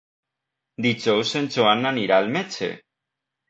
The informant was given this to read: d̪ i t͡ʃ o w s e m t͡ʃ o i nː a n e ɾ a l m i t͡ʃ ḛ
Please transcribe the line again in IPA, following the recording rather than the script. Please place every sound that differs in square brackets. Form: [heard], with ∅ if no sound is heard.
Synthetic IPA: d̪ i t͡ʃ o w s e [n] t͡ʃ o [a] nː a n [i] ɾ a l m [e] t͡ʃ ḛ